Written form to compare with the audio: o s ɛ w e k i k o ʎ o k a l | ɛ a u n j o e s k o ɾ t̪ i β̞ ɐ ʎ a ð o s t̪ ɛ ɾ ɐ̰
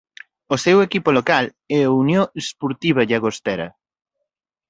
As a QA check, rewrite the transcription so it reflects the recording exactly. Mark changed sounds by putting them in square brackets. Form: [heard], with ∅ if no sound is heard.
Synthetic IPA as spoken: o s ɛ w e k i [p] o [l] o k a l | ɛ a u n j o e s [p] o ɾ t̪ i β̞ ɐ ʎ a [ɣ] o s t̪ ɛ ɾ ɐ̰